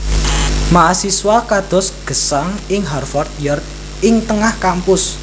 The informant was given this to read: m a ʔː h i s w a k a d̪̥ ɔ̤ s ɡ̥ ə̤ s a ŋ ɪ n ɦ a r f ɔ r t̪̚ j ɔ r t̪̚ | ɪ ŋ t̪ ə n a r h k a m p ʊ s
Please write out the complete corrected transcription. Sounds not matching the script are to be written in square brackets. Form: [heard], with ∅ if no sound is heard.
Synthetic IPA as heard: m a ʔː [s] i s w a k a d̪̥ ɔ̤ s ɡ̥ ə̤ s a ŋ ɪ [ŋ] ɦ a r f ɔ r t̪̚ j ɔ r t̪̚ | ɪ ŋ t̪ ə [ŋ] a [∅] h k a m p ʊ s